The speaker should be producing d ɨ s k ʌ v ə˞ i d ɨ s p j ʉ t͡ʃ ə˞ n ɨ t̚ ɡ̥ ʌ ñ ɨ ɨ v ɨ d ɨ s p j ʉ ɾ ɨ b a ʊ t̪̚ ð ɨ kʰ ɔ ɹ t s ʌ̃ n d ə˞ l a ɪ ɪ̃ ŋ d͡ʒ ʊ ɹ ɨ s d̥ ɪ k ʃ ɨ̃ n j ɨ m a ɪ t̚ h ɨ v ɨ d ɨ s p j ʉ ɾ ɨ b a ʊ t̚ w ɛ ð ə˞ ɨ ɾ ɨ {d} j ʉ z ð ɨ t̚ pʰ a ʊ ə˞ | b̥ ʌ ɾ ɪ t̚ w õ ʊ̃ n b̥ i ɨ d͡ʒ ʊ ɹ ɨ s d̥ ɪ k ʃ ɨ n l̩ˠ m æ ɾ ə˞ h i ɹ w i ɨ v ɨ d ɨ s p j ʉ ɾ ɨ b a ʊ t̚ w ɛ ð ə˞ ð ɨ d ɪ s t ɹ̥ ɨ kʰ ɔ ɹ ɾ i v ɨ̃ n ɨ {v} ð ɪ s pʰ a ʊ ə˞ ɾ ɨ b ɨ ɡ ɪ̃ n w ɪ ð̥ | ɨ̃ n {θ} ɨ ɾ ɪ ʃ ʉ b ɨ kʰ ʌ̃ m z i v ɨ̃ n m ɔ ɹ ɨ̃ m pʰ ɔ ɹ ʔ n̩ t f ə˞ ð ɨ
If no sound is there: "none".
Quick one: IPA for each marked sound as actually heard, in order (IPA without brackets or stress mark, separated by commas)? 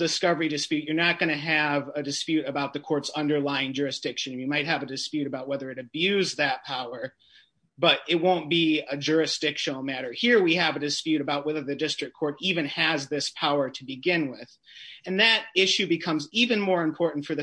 b, z, ð